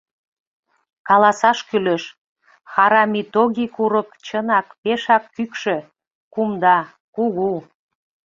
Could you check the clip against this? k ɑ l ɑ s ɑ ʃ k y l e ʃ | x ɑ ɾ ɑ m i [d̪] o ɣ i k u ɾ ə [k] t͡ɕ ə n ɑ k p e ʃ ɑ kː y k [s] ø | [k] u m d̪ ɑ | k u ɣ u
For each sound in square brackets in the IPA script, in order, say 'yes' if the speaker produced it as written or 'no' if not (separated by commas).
no, yes, no, yes